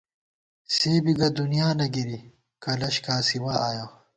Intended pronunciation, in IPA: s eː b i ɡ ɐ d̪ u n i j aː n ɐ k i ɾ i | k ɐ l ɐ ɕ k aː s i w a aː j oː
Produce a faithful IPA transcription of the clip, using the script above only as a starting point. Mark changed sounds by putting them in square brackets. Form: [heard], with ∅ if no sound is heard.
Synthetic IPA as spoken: s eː b i ɡ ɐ d̪ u n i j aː n ɐ [ɡ] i ɾ i | k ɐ l ɐ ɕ k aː s i w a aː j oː